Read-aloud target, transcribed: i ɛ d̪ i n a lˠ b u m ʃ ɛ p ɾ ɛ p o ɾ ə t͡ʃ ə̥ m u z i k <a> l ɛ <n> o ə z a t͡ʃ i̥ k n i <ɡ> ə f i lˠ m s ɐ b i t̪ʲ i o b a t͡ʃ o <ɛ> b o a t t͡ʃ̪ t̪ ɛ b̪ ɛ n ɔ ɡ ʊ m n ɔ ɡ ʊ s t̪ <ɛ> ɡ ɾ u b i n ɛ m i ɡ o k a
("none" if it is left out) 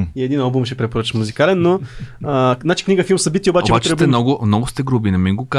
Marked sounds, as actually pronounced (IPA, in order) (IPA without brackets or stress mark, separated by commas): a, nː, ɡ, ɛ, ɛ